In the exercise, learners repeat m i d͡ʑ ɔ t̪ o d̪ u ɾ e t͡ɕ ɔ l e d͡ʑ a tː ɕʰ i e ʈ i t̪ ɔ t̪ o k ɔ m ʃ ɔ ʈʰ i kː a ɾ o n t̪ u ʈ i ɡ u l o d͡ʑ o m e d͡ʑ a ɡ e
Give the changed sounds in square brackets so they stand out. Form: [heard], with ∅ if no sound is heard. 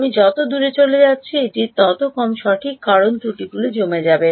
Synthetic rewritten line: m i d͡ʑ ɔ t̪ o d̪ u ɾ e t͡ɕ [o] l e d͡ʑ a tː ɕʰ i e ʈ i t̪ ɔ t̪ o k ɔ m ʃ ɔ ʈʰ i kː a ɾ o n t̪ u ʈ i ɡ u l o d͡ʑ o m e d͡ʑ a [b] e